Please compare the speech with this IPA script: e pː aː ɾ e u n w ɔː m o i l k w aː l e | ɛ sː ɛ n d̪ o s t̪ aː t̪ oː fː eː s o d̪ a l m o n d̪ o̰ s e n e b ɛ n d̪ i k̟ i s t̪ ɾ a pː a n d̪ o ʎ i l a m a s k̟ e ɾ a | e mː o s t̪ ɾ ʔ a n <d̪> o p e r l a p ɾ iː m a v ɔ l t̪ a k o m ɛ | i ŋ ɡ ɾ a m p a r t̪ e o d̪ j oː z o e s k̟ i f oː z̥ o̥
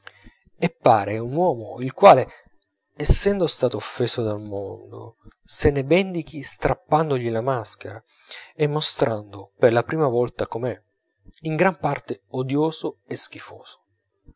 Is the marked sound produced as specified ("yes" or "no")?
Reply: yes